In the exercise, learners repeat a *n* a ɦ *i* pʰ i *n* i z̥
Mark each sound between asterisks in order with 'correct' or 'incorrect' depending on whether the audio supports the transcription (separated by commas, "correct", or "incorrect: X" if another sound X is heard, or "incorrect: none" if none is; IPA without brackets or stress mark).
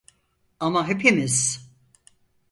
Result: incorrect: m, incorrect: e, incorrect: m